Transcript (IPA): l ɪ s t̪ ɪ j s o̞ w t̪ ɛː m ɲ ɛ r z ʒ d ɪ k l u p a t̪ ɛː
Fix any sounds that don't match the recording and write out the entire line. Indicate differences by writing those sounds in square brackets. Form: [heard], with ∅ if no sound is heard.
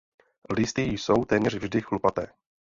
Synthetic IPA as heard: l ɪ s t̪ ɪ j s o̞ w t̪ ɛː m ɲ ɛ r [v] ʒ d ɪ [x] l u p a t̪ ɛː